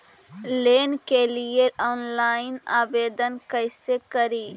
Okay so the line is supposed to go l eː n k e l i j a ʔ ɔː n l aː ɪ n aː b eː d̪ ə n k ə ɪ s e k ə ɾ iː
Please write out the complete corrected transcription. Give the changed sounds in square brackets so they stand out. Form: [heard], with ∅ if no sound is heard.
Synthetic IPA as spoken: l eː n k e l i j [e] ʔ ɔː n l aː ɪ n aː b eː d̪ ə n k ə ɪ s e k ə ɾ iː

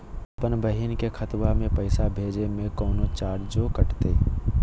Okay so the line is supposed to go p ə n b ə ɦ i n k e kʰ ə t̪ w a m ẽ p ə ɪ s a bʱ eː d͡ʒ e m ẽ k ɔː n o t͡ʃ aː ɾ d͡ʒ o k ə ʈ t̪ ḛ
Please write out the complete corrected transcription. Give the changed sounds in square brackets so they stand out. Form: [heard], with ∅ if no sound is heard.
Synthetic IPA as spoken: p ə n b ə ɦ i n k e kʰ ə t̪ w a m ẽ p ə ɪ s a bʱ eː d͡ʒ e m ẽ k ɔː n o t͡ʃ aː ɾ d͡ʒ o k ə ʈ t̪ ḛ

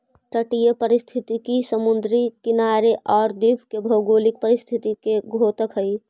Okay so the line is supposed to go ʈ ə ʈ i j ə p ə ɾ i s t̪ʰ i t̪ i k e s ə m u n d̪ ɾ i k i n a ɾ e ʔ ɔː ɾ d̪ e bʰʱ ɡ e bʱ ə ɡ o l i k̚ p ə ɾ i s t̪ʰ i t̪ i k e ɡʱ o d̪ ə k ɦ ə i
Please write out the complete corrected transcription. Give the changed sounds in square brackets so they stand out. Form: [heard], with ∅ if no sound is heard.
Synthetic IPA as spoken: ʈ ə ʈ i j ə p ə ɾ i s t̪ʰ i t̪ i k [i] s ə m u n d̪ ɾ i k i n a ɾ e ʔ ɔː ɾ d̪ [i] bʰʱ [k] e bʱ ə ɡ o l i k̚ p ə ɾ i s t̪ʰ i t̪ i k e ɡʱ o [t̪] ə k ɦ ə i

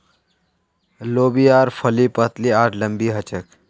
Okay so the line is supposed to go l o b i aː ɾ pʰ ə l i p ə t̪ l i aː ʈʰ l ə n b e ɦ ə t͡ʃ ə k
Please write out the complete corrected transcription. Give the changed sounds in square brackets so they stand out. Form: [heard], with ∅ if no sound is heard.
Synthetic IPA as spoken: l o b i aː ɾ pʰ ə l i p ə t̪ l i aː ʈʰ l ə [m] b [i] ɦ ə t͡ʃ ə k

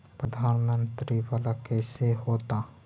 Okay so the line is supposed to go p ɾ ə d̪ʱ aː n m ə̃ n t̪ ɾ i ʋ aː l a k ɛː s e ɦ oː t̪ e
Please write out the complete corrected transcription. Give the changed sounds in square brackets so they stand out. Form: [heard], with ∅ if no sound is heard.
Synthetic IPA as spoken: p ɾ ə d̪ʱ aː n m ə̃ n t̪ ɾ i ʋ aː l a k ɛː s e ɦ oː t̪ [a]

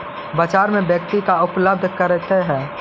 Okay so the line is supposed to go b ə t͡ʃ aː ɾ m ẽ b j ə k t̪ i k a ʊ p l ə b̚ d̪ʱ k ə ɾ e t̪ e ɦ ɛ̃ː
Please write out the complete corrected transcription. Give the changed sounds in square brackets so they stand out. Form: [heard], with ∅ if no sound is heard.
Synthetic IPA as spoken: b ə t͡ʃ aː ɾ m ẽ b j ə k t̪ i k a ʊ p l ə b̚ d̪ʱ k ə ɾ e t̪ e ɦ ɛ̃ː

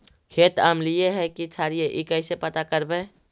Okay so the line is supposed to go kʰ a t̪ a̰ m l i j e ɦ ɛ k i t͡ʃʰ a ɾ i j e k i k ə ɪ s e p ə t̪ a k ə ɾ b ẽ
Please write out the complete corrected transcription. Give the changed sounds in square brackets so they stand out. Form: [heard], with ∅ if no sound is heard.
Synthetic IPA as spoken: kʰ [e] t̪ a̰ m l i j e ɦ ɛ k i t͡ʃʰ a ɾ i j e [ʔ] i k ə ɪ s e p ə t̪ a k ə ɾ b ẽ

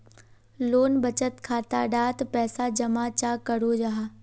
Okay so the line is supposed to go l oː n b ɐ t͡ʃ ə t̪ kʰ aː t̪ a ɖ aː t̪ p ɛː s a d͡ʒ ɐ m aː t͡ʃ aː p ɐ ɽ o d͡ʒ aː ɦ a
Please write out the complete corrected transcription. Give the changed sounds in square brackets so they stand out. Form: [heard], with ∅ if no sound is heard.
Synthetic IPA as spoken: l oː n b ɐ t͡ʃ ə t̪ kʰ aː t̪ a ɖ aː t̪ p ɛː s a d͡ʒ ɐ m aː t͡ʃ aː [k] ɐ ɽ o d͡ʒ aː ɦ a

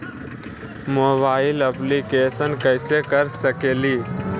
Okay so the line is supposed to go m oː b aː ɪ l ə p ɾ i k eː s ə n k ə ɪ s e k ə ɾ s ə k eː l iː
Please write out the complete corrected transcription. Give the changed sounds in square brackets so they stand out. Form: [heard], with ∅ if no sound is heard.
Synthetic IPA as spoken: m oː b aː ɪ l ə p [l] i k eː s ə n k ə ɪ s e k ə ɾ s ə k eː l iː

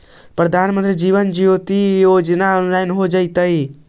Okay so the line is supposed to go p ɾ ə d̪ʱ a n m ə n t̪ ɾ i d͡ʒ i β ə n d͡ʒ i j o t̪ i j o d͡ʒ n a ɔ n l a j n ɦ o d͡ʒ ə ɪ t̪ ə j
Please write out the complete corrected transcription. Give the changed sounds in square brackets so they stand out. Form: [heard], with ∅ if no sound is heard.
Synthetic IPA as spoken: p ɾ ə d̪ʱ a n m ə n t̪ ɾ i d͡ʒ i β ə n d͡ʒ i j o t̪ i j o d͡ʒ n a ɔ n l a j n ɦ o d͡ʒ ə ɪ t̪ ə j

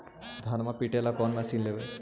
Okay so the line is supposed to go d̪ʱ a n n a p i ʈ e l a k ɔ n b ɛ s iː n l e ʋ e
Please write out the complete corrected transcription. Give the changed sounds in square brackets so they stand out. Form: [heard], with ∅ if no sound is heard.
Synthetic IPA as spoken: d̪ʱ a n [m] a p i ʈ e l a k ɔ n [m] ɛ s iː n l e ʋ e

